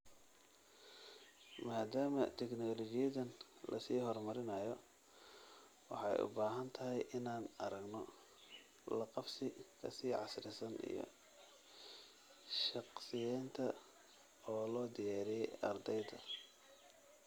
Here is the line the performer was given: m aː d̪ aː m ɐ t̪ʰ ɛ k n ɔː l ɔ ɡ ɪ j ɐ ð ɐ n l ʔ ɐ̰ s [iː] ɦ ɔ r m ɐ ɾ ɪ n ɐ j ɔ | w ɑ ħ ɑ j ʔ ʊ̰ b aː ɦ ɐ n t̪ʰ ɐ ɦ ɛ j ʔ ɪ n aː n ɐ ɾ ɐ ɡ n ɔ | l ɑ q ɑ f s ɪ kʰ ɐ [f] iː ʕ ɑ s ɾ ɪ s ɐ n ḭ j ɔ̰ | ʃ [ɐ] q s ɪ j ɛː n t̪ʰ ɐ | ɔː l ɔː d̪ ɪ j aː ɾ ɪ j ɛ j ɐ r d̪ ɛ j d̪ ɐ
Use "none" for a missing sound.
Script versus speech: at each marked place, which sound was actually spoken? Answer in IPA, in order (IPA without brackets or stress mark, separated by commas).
iː, s, ɑ